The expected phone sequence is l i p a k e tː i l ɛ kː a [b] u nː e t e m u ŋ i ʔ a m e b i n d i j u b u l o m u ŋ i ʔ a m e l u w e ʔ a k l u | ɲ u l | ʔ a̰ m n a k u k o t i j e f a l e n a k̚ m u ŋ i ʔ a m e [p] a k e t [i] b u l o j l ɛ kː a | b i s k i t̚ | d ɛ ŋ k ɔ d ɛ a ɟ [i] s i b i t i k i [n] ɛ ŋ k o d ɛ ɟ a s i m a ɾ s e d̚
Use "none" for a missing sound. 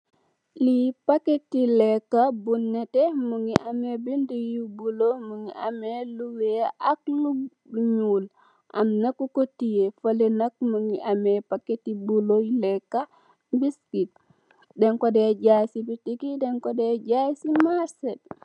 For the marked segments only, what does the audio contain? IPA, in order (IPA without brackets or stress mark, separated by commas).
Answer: b, p, i, a, d